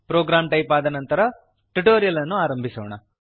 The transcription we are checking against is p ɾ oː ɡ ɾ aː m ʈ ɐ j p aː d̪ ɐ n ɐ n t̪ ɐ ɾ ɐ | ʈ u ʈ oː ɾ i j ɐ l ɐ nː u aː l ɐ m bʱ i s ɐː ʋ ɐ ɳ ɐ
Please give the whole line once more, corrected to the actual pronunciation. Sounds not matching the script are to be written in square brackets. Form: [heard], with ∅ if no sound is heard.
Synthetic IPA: p ɾ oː ɡ ɾ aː m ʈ ɐ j p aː d̪ ɐ n ɐ n t̪ ɐ ɾ ɐ | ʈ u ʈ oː ɾ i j ɐ l ɐ nː u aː [ɾ] ɐ m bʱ i s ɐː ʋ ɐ ɳ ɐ